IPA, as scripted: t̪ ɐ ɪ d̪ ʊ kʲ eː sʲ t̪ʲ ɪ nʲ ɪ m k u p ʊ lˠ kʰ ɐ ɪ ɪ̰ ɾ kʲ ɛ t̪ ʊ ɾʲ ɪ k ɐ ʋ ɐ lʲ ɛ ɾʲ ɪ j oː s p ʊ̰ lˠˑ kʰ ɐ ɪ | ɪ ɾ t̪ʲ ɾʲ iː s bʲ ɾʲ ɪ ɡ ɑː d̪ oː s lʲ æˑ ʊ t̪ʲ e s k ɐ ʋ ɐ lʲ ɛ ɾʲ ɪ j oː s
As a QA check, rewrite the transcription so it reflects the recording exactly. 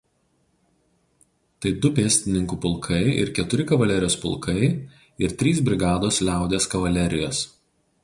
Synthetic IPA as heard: t̪ ɐ ɪ d̪ ʊ pʲ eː sʲ t̪ʲ ɪ nʲ ɪ ŋ k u p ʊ lˠ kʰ ɐ ɪ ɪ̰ ɾ kʲ ɛ t̪ ʊ ɾʲ ɪ k ɐ ʋ ɐ lʲ ɛ ɾʲ ɪ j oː s p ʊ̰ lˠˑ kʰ ɐ ɪ | ɪ ɾ t̪ʲ ɾʲ iː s bʲ ɾʲ ɪ ɡ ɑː d̪ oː s lʲ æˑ ʊ d̪ʲ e s k ɐ ʋ ɐ lʲ ɛ ɾʲ ɪ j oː s